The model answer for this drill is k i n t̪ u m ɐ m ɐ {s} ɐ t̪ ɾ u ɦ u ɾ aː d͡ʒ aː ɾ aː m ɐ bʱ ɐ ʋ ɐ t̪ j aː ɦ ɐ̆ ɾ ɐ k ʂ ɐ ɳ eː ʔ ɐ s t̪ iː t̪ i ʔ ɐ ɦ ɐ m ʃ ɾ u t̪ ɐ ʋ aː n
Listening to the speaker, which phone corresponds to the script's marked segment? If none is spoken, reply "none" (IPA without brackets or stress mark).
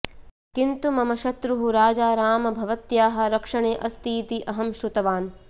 ʃ